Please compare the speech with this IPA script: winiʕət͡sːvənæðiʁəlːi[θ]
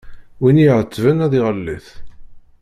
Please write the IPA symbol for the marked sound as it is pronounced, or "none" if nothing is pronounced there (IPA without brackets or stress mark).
θ